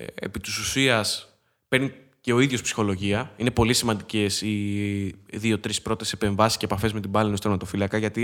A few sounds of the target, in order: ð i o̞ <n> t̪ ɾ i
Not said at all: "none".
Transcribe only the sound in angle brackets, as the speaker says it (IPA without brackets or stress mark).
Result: none